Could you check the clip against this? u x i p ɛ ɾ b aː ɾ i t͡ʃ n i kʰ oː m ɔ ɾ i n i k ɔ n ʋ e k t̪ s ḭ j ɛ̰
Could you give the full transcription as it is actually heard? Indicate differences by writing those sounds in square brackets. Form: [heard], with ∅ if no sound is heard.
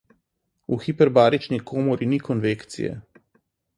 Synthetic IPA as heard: u x i p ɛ ɾ b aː ɾ i t͡ʃ n i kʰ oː m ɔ ɾ i n i k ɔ n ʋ e k t̪ s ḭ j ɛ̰